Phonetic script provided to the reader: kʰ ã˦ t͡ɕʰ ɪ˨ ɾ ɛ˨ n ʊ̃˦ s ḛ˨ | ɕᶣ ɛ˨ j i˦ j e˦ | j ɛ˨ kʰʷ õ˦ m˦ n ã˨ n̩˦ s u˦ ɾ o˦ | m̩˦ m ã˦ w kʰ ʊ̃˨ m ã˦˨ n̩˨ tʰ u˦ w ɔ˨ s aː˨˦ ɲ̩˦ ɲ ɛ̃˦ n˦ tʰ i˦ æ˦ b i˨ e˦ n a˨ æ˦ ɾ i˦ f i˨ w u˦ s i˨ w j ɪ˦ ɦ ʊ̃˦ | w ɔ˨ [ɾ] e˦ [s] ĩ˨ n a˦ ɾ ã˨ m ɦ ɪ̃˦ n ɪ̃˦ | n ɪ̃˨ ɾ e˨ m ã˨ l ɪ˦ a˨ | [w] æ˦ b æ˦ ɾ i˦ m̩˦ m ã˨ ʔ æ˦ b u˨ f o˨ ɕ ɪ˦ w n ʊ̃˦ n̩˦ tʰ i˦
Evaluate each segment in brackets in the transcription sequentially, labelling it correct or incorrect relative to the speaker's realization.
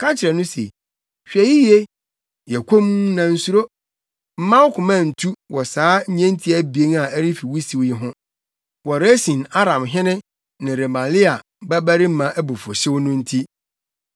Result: correct, correct, incorrect: b

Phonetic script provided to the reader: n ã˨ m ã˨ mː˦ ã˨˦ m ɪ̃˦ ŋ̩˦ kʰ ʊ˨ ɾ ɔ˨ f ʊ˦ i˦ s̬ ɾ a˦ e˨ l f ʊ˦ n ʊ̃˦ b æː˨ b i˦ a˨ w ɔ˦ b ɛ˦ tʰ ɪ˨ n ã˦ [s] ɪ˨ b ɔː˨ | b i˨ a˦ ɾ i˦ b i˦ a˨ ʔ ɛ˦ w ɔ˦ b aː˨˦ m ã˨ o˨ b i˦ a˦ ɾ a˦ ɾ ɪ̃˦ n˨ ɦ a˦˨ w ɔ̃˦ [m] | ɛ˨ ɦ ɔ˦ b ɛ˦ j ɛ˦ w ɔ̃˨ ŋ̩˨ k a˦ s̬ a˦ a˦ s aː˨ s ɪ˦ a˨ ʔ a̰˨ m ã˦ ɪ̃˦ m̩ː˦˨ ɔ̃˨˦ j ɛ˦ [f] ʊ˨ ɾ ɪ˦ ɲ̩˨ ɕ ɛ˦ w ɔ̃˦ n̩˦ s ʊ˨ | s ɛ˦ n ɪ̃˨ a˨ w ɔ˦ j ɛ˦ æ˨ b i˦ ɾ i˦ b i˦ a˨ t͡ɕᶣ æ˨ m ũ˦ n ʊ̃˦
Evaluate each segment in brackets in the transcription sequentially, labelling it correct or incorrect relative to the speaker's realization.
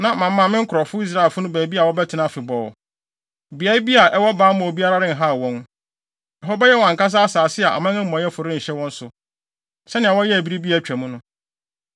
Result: incorrect: f, incorrect: n, correct

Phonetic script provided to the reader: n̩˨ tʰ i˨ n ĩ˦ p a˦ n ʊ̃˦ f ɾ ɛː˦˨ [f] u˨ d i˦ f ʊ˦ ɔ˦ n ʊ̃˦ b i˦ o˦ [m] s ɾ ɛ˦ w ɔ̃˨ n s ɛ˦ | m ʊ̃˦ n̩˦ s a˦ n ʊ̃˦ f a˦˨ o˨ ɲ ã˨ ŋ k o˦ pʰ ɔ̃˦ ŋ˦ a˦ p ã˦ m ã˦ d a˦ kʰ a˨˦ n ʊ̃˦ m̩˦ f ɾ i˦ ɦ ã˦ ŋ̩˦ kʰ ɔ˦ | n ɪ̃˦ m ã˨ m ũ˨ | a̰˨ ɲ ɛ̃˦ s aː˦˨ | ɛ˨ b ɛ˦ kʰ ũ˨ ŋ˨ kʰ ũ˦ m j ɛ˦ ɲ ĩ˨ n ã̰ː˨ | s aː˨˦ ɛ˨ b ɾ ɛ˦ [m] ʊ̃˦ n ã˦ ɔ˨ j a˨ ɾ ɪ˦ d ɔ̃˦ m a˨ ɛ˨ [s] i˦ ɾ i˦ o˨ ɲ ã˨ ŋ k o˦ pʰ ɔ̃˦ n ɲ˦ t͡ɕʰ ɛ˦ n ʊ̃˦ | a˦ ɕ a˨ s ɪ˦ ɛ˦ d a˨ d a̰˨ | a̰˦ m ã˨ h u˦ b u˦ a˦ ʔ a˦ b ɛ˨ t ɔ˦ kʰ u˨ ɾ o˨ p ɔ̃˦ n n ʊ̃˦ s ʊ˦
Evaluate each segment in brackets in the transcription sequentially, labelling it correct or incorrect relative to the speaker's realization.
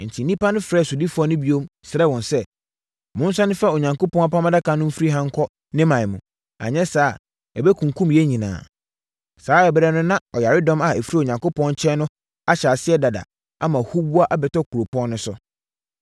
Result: incorrect: s, correct, incorrect: n, incorrect: f

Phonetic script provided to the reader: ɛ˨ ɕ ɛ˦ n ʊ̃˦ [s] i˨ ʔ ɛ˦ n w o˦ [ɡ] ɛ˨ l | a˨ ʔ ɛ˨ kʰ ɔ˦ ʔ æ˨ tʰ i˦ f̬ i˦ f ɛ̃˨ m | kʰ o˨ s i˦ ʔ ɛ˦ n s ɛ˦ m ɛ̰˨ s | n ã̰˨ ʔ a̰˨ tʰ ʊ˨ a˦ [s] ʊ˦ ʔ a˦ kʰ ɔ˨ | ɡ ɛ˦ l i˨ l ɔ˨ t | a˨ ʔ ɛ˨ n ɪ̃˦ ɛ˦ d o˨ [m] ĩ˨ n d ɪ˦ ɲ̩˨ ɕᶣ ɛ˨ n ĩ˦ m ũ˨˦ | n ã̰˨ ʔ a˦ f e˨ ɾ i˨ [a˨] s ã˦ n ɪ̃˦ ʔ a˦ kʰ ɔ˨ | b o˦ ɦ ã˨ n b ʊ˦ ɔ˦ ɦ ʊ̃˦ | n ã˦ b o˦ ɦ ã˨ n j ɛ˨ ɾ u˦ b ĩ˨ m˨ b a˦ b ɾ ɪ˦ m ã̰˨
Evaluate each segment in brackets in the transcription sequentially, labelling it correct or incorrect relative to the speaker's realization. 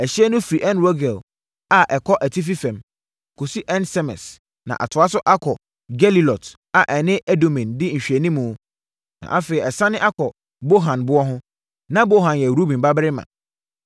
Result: incorrect: f, correct, correct, correct, incorrect: ɛ˨

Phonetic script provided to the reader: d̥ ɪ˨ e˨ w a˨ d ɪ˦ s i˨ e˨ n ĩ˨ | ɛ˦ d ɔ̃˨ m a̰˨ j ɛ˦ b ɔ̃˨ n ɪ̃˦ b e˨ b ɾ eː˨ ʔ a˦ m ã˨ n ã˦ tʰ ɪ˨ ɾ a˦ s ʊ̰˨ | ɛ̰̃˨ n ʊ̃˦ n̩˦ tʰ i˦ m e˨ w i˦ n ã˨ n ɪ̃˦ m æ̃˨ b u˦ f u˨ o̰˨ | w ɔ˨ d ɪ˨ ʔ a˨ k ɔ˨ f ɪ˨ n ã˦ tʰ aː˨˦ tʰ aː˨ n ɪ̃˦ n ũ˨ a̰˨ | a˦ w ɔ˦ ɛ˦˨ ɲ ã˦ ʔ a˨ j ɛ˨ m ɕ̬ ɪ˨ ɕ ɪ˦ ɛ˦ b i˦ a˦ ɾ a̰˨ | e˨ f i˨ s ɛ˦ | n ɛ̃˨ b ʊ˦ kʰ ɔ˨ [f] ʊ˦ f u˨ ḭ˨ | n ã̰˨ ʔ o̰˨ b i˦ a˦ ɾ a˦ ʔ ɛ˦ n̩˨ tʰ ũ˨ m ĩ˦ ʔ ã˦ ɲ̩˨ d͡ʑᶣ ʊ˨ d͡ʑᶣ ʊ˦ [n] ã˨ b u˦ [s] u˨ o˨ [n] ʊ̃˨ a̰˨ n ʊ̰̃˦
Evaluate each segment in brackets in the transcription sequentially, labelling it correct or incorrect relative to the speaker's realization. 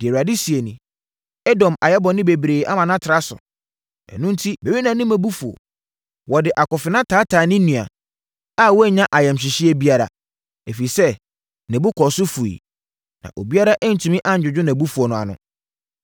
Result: incorrect: s, correct, incorrect: f, correct

